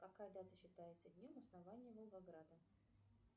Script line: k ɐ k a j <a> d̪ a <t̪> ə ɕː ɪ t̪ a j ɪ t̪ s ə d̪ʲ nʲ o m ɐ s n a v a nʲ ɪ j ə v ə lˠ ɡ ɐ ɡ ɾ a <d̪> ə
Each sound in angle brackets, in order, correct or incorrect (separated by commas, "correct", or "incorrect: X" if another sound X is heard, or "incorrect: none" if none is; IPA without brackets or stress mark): incorrect: ə, correct, correct